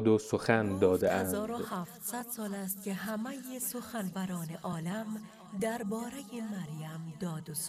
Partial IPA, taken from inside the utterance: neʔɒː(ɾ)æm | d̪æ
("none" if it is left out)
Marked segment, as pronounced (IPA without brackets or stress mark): l